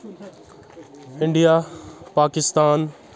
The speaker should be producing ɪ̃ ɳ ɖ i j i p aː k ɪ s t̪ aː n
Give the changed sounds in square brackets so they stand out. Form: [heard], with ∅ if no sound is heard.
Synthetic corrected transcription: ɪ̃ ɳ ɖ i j [a] p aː k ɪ s t̪ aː n